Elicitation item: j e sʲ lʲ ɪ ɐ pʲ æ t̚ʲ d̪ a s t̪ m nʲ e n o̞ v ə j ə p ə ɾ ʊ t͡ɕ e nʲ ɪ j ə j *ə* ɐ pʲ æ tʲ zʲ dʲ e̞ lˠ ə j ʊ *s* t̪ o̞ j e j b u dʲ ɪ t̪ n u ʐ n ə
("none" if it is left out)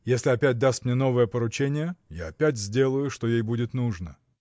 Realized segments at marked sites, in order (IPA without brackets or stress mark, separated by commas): a, ʂ